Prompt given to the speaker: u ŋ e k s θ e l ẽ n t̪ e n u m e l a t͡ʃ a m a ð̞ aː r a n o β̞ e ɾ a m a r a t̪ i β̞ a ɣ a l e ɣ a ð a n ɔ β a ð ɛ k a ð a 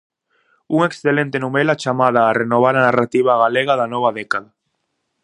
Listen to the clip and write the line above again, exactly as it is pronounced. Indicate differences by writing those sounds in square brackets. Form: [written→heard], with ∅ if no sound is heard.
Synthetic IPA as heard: u ŋ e k s θ e l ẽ n t̪ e n u m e l a t͡ʃ a m a ð̞ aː r [a→e] n o β̞ [e→a] ɾ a [m→n] a r a t̪ i β̞ a ɣ a l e ɣ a ð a n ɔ β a ð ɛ k a ð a